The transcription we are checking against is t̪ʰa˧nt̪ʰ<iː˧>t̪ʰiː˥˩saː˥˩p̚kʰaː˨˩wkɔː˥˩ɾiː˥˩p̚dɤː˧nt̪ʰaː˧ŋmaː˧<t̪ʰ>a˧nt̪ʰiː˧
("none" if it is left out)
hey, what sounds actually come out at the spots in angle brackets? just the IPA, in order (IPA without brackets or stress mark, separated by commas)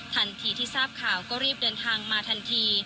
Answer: iː˧, t̪ʰ